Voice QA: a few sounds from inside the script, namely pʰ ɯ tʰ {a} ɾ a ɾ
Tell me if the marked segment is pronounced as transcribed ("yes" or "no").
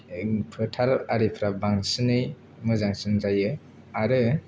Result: yes